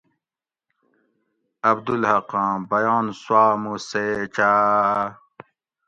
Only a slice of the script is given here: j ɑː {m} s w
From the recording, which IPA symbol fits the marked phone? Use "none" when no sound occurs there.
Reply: n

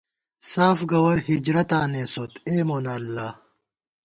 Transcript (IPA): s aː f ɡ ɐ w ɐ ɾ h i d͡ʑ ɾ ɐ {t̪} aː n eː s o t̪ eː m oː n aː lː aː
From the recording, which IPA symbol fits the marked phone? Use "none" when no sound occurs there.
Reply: t̪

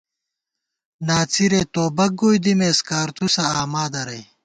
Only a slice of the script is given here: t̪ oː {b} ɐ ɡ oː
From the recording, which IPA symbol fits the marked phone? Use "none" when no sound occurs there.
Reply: b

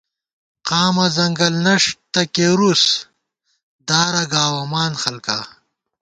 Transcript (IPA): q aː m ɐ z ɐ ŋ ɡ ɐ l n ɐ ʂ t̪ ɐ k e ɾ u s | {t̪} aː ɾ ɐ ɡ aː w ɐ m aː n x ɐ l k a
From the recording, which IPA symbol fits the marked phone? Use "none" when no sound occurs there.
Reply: d̪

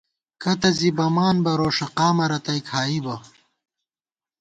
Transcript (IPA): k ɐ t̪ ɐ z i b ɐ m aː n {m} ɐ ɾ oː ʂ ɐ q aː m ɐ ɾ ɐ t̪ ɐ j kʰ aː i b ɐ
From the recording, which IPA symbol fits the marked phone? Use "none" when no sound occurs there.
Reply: b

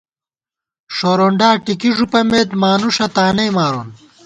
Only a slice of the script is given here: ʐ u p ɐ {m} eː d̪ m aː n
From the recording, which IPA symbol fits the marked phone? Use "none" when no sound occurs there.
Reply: m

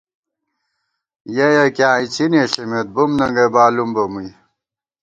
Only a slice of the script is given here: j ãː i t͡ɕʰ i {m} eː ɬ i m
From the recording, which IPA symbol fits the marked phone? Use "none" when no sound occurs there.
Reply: n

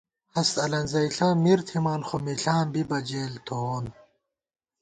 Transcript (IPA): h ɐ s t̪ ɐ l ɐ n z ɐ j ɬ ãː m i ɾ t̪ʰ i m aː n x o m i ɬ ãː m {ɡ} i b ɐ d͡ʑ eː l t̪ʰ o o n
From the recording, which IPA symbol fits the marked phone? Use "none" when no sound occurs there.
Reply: b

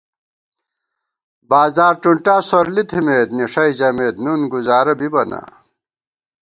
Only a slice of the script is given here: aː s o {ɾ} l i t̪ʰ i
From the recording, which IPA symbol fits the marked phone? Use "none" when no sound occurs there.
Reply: ɾ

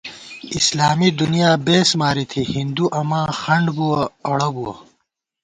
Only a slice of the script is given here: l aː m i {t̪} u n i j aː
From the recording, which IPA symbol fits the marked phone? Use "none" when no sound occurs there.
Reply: d̪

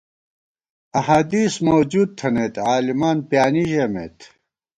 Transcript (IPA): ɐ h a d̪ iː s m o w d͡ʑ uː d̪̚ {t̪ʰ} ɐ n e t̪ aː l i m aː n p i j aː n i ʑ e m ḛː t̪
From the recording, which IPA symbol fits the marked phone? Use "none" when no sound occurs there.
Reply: t̪ʰ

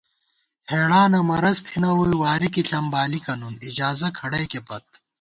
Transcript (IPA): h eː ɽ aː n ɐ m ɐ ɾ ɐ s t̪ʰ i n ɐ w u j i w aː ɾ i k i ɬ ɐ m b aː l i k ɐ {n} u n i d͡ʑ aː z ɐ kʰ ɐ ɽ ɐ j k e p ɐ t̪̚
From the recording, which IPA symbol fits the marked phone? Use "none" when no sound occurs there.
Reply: n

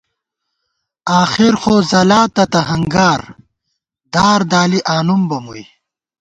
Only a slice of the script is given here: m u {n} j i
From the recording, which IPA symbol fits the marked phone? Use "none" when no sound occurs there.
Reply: none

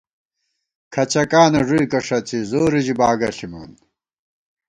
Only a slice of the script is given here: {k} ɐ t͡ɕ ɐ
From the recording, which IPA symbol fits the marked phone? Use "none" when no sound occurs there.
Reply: kʰ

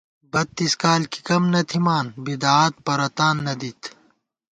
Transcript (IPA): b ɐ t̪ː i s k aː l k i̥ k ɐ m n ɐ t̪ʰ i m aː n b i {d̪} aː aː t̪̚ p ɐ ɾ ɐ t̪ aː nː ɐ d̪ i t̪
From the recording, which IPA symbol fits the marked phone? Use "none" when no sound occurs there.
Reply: d̪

